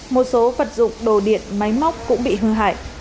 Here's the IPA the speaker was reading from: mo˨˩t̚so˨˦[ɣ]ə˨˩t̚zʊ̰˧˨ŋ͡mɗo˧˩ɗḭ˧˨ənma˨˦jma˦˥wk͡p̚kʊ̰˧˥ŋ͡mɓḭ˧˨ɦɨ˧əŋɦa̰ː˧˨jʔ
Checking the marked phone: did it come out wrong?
yes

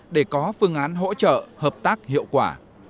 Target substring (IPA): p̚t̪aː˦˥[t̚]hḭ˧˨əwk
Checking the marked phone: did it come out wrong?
yes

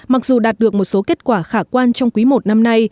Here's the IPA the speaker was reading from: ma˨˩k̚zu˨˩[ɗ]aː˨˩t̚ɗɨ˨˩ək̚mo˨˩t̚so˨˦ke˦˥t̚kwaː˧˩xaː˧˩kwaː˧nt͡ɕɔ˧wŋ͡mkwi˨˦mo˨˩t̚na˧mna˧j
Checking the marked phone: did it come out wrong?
no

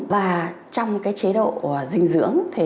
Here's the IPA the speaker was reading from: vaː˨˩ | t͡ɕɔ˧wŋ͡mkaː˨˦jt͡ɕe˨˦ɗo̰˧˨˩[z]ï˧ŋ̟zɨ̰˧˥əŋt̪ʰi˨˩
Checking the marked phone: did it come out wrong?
no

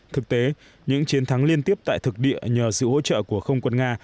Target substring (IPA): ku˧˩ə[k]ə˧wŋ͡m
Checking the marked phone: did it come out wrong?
yes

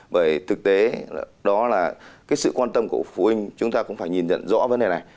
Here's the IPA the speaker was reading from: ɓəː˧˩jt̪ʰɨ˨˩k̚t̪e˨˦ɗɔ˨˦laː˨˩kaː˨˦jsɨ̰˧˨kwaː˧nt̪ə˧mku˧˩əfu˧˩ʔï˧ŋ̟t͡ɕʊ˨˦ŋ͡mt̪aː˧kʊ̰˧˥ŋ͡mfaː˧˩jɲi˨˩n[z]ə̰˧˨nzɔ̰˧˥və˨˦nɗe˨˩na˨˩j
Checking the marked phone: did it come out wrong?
no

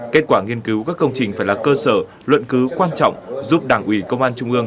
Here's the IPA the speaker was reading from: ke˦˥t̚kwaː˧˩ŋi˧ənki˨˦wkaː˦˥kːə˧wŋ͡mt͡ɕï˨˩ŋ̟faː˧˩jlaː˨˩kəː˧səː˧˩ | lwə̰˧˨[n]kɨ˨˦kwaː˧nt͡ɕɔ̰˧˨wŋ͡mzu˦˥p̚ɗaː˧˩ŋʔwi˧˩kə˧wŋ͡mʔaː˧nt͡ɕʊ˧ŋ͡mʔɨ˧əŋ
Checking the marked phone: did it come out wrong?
no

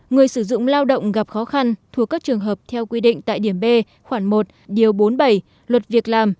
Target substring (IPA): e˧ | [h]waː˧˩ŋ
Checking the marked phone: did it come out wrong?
yes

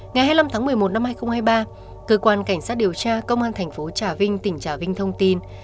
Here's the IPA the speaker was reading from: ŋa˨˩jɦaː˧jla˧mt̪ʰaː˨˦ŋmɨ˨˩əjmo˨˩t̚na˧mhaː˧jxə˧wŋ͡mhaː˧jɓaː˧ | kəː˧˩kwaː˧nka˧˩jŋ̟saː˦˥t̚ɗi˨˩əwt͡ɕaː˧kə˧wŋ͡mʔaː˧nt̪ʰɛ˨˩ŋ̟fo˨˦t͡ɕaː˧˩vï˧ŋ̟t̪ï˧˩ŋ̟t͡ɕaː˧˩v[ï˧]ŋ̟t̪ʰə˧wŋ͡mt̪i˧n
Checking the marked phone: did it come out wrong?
no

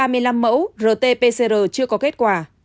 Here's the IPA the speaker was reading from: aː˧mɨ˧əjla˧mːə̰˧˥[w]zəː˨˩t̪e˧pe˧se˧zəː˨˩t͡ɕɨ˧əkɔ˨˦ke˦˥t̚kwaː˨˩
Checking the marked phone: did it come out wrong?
no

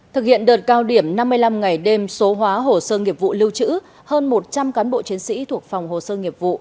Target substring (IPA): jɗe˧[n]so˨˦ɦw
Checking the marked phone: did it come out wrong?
yes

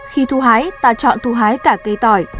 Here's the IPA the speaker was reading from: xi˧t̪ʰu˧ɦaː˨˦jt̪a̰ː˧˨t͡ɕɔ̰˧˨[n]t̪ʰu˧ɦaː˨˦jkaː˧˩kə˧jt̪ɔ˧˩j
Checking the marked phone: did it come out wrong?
no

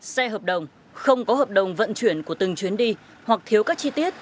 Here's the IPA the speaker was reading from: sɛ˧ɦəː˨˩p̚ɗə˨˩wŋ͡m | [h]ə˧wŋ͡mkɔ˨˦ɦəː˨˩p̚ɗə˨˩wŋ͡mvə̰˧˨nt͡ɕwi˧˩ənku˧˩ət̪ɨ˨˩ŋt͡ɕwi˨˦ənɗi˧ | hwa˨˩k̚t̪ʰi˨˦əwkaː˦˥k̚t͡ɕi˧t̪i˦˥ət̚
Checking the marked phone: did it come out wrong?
yes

